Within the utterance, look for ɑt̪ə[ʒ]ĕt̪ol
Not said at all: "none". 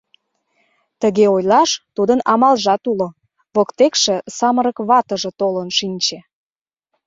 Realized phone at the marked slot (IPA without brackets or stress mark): ʒ